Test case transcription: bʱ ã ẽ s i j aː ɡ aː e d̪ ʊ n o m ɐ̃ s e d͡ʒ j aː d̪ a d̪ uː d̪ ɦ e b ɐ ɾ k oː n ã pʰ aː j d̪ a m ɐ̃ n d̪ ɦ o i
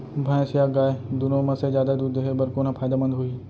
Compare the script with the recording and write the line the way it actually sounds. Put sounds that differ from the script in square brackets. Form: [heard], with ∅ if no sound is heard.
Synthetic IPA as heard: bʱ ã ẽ s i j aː ɡ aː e d̪ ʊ n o m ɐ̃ s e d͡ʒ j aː d̪ a d̪ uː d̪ ɦ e b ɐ ɾ k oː n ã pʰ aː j d̪ a m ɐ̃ n d̪ ɦ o i